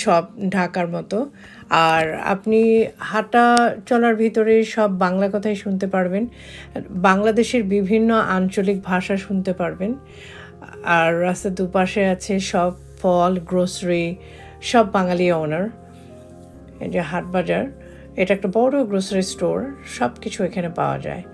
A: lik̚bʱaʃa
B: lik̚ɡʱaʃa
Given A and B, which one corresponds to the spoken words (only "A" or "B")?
A